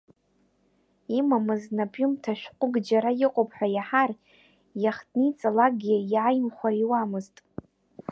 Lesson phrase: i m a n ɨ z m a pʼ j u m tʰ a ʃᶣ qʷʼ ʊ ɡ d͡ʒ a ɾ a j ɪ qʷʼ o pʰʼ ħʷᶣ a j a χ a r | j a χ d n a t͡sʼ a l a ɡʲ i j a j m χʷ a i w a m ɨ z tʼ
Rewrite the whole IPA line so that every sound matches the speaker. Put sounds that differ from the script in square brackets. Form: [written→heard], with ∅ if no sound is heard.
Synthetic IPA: i m a [n→m] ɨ z [m→n] a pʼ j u m tʰ a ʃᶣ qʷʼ ʊ ɡ d͡ʒ a ɾ a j ɪ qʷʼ o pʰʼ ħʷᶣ a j a [χ→ħ] a r | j a χ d n [a→i] t͡sʼ a l a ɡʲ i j a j m χʷ a i w a m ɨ z tʼ